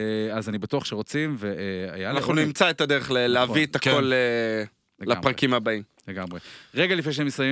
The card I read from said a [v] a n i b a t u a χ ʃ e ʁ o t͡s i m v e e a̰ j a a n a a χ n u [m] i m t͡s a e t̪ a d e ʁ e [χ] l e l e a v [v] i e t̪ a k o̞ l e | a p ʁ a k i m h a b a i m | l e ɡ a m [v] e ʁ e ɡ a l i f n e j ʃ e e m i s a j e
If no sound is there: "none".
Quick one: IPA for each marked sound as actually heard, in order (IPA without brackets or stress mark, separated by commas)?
z, n, χ, v, ʁ